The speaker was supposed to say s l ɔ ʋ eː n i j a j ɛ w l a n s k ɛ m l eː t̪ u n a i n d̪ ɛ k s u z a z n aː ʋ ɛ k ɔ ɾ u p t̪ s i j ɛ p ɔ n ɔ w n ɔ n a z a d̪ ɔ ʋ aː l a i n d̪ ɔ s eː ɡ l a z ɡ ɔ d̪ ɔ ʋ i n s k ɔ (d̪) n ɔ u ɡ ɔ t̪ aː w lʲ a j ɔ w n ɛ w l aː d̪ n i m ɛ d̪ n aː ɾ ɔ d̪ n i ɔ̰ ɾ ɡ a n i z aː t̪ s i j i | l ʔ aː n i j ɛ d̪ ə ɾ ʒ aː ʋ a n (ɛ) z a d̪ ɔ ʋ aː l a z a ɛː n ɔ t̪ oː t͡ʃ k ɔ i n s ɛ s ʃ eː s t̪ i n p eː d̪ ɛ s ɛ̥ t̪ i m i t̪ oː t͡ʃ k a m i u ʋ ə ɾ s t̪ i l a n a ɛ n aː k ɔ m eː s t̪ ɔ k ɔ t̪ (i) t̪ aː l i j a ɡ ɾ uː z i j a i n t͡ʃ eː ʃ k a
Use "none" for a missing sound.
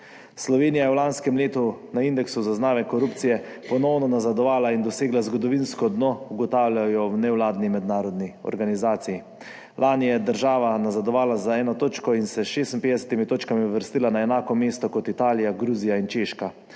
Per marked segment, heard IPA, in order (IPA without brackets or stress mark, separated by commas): d̪, a, i